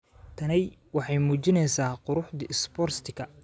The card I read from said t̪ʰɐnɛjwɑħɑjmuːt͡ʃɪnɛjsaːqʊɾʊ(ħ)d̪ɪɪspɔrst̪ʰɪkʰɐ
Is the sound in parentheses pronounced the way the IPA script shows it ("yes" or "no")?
yes